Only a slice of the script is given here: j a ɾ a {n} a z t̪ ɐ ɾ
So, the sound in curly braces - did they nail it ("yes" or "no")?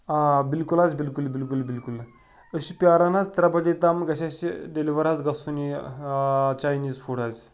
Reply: yes